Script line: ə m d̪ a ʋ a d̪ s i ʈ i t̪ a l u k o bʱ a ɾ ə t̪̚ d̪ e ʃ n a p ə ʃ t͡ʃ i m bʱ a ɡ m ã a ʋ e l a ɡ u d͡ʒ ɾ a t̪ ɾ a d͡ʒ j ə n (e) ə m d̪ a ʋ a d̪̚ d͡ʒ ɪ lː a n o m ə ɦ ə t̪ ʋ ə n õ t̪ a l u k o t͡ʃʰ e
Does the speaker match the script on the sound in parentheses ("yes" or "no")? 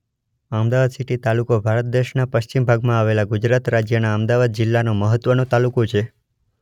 no